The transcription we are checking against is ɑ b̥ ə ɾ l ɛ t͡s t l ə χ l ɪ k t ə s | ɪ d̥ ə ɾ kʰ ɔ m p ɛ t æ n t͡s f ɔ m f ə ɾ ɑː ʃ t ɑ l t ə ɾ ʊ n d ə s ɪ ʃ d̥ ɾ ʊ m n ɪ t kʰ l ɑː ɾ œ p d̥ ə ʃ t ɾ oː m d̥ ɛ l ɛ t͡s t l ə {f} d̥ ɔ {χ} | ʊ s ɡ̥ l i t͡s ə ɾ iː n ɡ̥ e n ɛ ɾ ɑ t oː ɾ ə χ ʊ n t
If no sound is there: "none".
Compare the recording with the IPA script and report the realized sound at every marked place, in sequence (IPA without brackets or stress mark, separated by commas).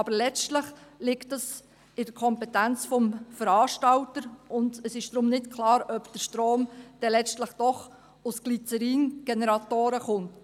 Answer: χ, χ